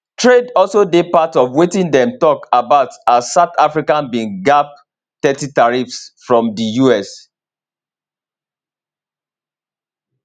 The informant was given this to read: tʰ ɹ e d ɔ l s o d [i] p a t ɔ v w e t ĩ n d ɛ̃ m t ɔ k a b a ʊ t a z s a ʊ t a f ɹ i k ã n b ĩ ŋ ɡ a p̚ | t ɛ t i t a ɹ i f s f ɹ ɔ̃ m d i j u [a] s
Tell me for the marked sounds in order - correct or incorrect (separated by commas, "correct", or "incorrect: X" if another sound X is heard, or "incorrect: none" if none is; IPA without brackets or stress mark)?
incorrect: e, incorrect: ɛ